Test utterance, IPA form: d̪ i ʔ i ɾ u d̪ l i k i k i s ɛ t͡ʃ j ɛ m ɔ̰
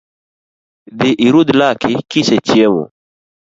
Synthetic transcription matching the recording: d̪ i ʔ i ɾ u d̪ l a k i k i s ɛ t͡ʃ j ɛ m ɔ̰